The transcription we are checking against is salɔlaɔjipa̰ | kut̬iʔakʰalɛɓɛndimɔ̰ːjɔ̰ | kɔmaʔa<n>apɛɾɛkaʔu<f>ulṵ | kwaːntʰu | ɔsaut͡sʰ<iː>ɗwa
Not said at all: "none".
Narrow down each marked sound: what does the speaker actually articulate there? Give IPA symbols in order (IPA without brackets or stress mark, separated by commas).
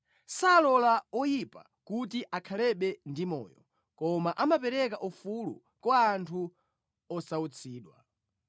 m, f, iː